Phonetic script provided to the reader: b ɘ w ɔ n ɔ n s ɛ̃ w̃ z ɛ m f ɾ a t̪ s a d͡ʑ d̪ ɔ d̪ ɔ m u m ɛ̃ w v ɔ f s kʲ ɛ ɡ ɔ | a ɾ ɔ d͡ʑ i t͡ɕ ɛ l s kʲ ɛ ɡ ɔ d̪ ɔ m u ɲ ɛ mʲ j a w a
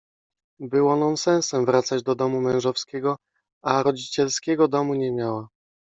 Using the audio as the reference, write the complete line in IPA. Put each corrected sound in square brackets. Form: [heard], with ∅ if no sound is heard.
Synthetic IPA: b ɘ w ɔ n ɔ n s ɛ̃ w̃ [s] ɛ m [v] ɾ a t̪ s a d͡ʑ d̪ ɔ d̪ ɔ m u m ɛ̃ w [ʐ] ɔ f s kʲ ɛ ɡ ɔ | a ɾ ɔ d͡ʑ i t͡ɕ ɛ l s kʲ ɛ ɡ ɔ d̪ ɔ m u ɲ ɛ mʲ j a w a